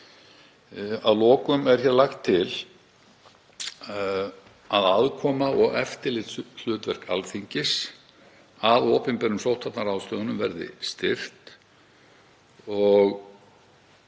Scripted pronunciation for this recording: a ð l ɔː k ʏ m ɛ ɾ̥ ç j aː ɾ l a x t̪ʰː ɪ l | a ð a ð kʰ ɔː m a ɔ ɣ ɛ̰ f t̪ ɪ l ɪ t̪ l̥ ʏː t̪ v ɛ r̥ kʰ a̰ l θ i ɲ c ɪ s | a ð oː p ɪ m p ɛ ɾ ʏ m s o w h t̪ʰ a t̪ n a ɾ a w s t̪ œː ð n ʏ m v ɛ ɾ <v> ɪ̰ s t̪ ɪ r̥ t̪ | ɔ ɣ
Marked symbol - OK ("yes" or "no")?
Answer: no